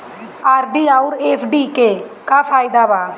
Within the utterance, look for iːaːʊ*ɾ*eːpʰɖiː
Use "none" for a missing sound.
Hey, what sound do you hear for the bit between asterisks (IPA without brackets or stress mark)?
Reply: ɾ